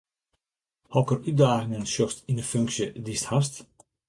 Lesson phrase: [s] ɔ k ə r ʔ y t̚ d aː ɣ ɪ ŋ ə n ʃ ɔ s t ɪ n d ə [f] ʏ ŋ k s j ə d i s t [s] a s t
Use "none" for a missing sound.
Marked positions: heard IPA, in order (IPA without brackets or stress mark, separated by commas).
h, f, h